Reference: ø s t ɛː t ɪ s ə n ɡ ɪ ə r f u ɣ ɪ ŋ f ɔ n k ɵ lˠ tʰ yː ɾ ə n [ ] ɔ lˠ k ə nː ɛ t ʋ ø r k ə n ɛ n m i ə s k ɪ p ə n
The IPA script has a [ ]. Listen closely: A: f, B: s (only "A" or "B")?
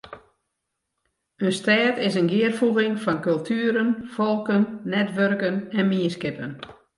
A